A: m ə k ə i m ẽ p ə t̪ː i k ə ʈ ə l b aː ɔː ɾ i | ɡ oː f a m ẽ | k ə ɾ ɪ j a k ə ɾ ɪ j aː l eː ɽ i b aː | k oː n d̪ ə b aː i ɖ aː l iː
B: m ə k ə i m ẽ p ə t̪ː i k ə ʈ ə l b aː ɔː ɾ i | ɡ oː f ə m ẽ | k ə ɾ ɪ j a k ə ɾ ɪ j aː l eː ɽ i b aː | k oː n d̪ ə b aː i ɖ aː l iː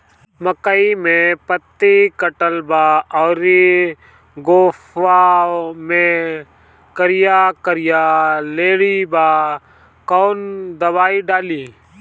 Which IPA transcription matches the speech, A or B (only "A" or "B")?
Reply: A